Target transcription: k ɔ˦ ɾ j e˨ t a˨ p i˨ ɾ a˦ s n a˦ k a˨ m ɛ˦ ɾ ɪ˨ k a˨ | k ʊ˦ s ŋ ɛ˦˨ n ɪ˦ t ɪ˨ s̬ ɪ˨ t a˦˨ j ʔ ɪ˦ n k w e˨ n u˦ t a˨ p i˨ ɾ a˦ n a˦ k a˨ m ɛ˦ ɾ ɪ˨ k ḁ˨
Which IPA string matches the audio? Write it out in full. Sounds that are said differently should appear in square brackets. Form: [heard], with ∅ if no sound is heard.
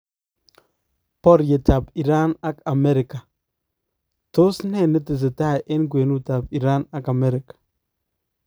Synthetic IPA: [p] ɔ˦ ɾ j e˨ t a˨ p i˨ ɾ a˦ [∅] n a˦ k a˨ m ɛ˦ ɾ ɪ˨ k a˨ | [t] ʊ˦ s [n] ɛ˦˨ n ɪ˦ t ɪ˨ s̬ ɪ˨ t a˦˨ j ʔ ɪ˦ n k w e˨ n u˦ t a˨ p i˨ ɾ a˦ n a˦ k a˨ m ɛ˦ ɾ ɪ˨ k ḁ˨